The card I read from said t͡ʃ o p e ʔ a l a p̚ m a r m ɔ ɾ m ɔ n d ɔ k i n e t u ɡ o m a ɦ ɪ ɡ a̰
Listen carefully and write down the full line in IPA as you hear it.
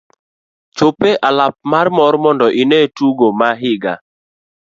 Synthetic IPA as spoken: t͡ʃ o p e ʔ a l a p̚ m a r m ɔ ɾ m ɔ n d ɔ ʔ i n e t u ɡ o m a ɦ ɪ ɡ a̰